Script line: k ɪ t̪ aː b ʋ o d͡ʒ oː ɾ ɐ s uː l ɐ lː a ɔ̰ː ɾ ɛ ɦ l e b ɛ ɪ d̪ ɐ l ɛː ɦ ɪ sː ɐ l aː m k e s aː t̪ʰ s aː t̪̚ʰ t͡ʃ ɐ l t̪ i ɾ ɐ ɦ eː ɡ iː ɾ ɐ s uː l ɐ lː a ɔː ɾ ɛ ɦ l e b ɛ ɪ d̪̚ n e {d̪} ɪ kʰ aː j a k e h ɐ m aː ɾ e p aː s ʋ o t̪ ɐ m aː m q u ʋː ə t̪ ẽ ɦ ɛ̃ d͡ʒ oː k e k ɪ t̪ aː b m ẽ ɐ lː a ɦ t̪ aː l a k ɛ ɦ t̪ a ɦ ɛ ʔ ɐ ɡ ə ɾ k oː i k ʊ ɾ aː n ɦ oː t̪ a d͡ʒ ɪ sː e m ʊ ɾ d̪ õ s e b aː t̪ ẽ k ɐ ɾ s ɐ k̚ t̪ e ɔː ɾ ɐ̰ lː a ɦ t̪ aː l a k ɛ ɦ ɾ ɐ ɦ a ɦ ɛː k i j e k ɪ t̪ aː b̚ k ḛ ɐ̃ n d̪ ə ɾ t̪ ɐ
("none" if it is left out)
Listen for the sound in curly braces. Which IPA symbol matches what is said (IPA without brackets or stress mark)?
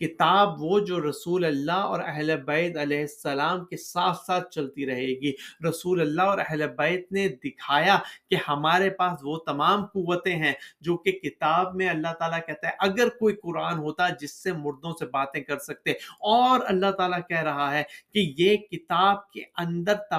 d̪